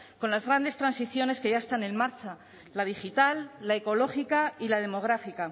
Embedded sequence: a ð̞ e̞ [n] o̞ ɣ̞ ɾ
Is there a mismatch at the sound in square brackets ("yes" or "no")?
yes